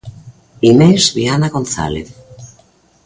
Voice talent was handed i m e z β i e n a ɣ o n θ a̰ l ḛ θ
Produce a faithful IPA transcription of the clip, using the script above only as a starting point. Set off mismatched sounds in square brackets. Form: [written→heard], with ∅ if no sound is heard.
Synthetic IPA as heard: i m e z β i [e→a] n a ɣ o n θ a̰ l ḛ θ